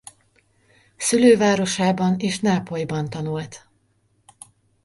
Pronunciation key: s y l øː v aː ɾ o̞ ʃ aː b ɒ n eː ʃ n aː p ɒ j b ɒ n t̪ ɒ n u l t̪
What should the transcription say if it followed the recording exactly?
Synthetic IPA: s y l øː v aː ɾ o̞ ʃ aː b ɒ n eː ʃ n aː p o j b ɒ n t̪ ɒ n u l t̪